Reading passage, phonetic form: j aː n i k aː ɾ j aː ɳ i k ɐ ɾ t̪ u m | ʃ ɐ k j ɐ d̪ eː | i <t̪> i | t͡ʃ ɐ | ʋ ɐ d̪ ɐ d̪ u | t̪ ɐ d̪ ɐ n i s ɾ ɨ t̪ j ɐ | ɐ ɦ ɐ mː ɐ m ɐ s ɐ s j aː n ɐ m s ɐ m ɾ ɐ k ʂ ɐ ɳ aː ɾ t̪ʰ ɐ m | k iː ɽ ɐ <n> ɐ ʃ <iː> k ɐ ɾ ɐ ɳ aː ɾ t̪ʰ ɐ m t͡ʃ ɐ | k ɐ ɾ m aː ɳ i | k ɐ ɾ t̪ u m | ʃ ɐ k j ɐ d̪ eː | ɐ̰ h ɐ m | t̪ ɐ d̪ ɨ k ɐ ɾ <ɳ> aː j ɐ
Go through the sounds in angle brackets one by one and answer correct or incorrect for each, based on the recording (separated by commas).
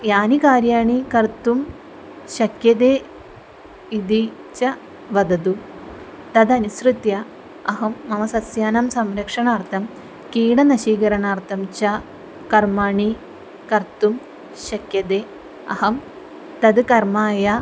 incorrect, correct, correct, incorrect